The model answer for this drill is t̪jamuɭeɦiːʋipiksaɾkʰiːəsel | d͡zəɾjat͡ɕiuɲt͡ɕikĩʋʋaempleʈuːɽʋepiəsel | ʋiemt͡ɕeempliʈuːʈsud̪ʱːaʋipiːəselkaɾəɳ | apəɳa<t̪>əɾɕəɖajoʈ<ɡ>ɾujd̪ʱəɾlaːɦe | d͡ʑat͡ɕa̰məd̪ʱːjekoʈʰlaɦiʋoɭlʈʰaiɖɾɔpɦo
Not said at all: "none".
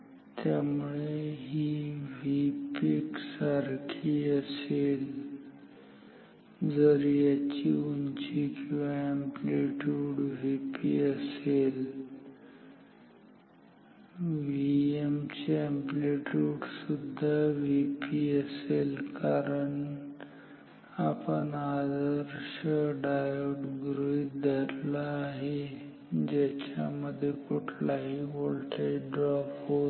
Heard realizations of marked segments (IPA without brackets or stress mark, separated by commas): d̪, ɡ